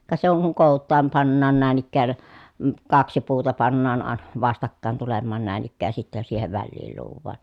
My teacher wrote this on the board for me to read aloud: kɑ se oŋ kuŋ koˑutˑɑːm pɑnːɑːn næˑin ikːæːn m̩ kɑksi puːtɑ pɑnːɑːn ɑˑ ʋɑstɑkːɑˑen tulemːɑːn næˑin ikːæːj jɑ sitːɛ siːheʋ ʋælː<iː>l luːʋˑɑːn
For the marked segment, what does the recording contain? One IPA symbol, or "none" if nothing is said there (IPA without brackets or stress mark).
iː